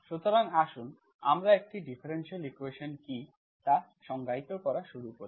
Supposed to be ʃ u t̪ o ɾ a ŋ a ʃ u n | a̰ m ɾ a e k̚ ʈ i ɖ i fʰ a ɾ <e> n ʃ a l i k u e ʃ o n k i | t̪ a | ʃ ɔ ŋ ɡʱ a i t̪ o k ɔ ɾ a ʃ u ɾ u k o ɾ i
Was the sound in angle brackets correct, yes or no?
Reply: yes